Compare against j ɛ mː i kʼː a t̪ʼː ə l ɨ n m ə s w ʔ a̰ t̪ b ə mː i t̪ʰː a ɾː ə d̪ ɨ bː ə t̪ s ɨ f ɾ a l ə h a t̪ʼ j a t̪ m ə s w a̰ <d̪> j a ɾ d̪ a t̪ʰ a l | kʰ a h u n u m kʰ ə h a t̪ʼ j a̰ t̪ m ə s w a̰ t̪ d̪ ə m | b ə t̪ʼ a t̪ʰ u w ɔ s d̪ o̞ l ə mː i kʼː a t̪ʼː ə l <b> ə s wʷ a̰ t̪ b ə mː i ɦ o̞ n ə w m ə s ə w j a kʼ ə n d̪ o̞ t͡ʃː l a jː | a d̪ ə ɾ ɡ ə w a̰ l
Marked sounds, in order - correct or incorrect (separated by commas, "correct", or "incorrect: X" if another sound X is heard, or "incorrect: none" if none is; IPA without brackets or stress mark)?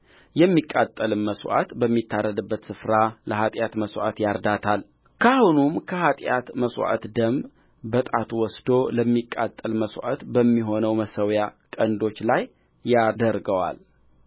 incorrect: t̪, incorrect: m